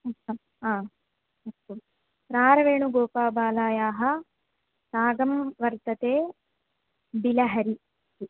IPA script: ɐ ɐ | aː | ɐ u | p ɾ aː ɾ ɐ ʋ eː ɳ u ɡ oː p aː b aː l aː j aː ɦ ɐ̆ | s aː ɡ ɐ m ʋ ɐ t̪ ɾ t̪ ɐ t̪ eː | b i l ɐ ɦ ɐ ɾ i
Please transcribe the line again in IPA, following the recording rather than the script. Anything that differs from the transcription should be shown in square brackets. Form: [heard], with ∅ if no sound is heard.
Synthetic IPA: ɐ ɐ | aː | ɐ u | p ɾ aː ɾ ɐ ʋ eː ɳ u ɡ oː p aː b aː l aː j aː ɦ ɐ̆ | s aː ɡ ɐ m ʋ ɐ [∅] ɾ t̪ ɐ t̪ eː | b i l ɐ ɦ ɐ ɾ i